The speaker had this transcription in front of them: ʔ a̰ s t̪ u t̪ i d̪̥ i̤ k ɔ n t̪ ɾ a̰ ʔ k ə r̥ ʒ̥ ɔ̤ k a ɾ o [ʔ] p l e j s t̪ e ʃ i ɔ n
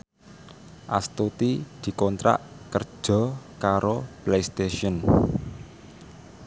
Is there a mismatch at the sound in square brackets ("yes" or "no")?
yes